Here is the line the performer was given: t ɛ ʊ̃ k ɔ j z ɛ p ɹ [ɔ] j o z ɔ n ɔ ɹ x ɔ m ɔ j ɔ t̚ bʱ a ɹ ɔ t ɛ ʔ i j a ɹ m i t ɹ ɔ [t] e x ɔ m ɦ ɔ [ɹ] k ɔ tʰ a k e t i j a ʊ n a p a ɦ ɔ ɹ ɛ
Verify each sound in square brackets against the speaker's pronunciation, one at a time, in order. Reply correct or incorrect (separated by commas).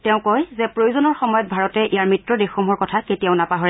incorrect, incorrect, correct